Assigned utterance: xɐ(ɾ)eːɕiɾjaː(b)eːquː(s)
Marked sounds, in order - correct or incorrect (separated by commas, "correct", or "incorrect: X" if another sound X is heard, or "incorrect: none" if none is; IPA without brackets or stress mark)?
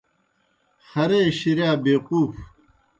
correct, correct, incorrect: f